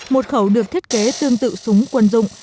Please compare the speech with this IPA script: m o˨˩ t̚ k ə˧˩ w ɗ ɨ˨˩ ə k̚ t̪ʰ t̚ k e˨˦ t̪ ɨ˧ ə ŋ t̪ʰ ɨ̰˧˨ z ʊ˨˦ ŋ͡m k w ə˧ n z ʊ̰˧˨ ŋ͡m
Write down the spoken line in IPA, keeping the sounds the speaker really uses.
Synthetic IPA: m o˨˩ t̚ x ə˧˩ w ɗ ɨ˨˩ ə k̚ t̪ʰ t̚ k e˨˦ t̪ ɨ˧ ə ŋ t̪ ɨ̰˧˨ s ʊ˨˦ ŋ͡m k w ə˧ n z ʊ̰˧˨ ŋ͡m

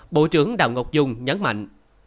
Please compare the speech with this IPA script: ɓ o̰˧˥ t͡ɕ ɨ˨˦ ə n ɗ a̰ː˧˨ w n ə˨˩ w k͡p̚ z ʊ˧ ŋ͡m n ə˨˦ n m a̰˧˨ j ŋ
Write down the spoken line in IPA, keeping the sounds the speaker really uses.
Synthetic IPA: ɓ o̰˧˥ t͡ɕ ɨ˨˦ ə ŋ ɗ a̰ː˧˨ w ŋ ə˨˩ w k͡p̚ z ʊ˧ ŋ͡m ɲ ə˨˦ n m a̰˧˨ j ŋ

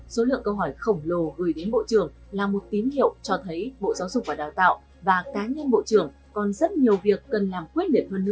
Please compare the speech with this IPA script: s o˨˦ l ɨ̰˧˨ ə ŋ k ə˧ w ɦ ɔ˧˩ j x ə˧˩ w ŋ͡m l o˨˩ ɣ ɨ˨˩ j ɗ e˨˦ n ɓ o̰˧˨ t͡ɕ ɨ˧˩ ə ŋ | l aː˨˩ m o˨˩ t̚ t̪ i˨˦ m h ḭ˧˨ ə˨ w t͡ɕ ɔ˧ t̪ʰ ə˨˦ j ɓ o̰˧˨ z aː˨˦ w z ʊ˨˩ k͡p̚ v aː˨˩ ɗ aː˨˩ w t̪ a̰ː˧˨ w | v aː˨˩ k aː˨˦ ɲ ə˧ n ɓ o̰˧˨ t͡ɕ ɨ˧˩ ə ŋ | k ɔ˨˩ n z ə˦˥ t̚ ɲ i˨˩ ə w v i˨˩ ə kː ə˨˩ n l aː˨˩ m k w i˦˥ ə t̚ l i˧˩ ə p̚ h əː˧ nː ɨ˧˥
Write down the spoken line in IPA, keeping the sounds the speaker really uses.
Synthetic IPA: s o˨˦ l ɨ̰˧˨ ə ŋ k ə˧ w ɦ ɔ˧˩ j x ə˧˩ w ŋ͡m l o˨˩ ɣ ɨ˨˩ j ɗ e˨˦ n ɓ o̰˧˨ t͡ɕ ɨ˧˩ ə ŋ | l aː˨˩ m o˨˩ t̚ t̪ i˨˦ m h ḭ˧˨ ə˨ w t͡ɕ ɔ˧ t̪ʰ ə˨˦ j ɓ o̰˧˨ z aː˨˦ w z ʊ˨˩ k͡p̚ v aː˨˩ ɗ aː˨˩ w t̪ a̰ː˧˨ w | v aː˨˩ k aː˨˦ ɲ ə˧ n ɓ o̰˧˨ t͡ɕ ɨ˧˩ ə ŋ | k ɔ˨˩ n z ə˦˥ t̚ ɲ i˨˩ ə w v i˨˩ ə kː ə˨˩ n l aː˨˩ m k w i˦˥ ə t̚ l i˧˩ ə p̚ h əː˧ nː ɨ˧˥

